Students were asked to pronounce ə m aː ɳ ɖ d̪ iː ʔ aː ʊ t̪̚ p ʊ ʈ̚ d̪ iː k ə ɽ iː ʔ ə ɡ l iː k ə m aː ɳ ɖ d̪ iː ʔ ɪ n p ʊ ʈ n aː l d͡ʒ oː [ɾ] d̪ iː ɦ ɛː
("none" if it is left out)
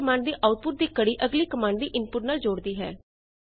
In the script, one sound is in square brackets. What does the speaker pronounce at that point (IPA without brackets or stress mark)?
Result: ɽ